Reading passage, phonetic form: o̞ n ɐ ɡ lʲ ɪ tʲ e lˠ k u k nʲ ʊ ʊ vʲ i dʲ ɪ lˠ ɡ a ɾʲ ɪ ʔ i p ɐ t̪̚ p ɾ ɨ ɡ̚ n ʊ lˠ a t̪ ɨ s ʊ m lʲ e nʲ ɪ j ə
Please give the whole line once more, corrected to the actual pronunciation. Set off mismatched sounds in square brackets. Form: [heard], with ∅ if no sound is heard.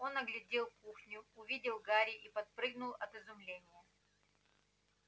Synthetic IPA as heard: o̞ n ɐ ɡ lʲ ɪ [dʲ] e lˠ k u [x] nʲ ʊ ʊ vʲ i dʲ ɪ lˠ ɡ a ɾʲ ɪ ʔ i p ɐ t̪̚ p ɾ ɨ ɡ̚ n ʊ lˠ [ɐ] t̪ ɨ [z] ʊ m lʲ e nʲ ɪ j ə